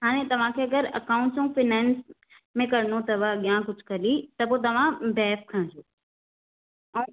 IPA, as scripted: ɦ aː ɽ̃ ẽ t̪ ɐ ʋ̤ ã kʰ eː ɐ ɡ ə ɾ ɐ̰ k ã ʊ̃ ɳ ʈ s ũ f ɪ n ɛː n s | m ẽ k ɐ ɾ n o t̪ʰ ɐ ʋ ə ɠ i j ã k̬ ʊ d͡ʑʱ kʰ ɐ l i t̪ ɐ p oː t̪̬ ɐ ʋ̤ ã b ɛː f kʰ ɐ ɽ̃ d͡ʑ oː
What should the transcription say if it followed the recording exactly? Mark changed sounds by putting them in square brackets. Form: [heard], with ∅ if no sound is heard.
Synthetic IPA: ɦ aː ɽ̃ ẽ t̪ ɐ ʋ̤ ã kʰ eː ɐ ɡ ə ɾ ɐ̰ k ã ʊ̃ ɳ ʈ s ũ f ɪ n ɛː n s | m ẽ k ɐ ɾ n o [t̪] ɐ ʋ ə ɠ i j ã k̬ ʊ d͡ʑʱ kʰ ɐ l i t̪ ɐ p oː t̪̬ ɐ ʋ̤ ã b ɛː f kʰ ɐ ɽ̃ d͡ʑ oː